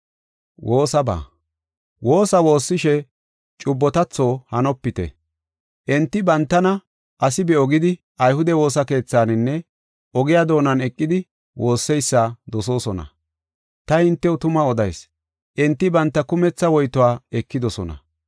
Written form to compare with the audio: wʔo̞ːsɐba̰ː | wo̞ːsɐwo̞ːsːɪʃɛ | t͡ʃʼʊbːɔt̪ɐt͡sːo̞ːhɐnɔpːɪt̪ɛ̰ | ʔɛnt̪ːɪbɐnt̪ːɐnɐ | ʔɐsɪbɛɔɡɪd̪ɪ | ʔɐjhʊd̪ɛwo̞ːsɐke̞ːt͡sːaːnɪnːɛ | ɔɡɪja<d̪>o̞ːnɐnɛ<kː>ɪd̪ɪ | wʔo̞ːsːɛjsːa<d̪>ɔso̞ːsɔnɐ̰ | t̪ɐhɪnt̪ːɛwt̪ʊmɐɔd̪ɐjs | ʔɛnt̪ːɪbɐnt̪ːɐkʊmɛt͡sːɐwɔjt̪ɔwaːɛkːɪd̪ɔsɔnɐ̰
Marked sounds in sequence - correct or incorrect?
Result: correct, incorrect: kʼː, correct

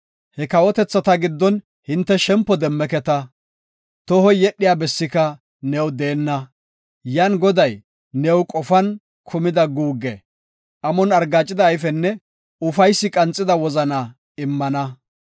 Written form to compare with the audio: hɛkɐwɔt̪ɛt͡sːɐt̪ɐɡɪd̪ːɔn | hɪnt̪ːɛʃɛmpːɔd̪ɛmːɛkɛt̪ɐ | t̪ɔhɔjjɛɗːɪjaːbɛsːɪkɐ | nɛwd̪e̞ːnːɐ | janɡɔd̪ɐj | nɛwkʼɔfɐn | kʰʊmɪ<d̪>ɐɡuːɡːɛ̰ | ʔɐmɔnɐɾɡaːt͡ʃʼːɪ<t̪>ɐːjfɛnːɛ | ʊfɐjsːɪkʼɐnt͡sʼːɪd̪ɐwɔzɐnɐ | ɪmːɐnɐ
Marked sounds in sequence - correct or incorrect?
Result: correct, incorrect: d̪

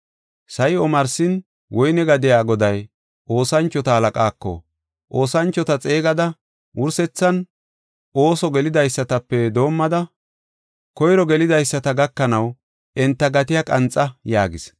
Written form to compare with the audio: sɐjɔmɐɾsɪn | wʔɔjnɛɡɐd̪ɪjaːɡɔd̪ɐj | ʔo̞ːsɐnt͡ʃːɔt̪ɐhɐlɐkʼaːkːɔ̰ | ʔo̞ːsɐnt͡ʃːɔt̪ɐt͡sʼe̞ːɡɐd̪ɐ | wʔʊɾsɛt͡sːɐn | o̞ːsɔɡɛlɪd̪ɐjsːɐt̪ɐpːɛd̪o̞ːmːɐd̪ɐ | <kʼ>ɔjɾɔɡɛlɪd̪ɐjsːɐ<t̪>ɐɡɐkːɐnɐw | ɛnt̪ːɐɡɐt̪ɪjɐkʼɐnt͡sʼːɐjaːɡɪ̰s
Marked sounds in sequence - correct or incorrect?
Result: incorrect: k, correct

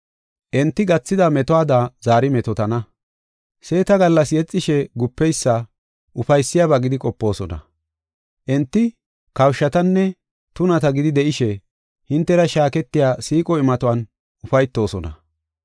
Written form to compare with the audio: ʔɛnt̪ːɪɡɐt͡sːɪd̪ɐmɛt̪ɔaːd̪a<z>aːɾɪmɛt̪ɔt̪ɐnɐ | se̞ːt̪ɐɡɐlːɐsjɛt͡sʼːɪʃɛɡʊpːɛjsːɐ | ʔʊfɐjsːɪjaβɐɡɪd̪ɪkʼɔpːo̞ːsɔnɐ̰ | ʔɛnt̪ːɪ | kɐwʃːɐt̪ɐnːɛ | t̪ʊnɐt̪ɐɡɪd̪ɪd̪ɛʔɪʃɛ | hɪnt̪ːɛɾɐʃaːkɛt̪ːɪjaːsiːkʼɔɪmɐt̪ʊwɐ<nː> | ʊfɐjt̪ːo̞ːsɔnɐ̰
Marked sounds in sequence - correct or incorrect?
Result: correct, incorrect: n

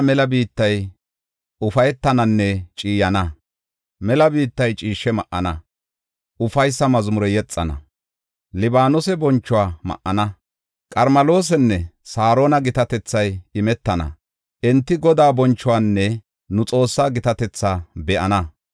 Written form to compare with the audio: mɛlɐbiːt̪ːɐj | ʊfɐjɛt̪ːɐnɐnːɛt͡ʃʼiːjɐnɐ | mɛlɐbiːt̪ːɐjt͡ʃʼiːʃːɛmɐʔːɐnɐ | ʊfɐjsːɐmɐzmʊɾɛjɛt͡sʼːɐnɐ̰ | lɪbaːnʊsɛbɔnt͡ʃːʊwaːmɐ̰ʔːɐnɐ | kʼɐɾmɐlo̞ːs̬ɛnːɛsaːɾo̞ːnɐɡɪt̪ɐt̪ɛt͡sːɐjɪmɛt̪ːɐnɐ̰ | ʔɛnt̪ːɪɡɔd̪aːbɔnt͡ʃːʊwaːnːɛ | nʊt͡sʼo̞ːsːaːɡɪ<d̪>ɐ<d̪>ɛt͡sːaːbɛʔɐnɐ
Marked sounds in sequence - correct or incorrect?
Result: incorrect: t̪, incorrect: t̪

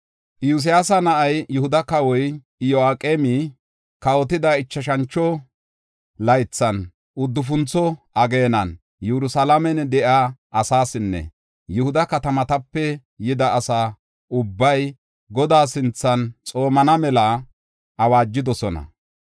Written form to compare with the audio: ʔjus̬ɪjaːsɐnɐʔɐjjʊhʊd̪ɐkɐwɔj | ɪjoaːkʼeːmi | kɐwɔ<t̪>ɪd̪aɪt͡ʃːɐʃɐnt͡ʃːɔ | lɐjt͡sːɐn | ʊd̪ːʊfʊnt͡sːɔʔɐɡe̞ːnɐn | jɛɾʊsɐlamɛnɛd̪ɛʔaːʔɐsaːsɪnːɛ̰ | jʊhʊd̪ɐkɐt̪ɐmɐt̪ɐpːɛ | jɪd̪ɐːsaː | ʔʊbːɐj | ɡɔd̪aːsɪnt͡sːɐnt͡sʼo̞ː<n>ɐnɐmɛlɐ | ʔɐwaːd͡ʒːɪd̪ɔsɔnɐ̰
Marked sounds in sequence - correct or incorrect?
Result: correct, incorrect: m

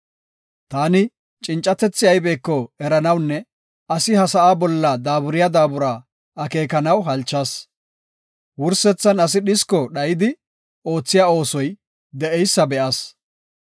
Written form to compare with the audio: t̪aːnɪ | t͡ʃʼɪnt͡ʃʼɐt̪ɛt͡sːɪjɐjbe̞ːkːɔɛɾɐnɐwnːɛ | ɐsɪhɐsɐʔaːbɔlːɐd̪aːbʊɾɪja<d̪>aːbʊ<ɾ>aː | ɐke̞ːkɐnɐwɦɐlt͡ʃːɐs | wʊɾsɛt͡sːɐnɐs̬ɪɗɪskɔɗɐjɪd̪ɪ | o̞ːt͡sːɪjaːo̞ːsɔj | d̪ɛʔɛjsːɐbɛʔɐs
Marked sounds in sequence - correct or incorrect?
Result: correct, correct

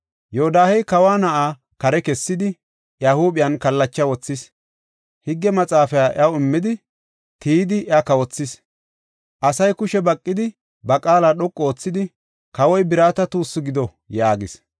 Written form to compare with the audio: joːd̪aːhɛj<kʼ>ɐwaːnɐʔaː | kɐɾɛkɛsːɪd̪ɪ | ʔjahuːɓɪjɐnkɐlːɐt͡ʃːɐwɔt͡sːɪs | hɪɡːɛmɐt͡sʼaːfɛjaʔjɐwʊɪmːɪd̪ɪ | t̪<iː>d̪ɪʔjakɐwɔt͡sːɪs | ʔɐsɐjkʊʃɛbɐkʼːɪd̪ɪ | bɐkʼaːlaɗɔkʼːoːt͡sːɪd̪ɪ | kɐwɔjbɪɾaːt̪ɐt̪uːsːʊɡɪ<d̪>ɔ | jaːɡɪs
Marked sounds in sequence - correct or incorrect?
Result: incorrect: k, correct, correct

